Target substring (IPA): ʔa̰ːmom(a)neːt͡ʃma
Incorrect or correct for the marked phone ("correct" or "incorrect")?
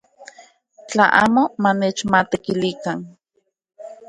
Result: correct